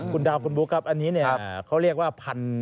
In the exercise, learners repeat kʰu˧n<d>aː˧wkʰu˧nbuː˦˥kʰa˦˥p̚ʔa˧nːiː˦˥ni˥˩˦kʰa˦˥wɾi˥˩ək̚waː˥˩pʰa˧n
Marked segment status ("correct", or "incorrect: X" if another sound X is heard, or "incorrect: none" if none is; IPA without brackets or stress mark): correct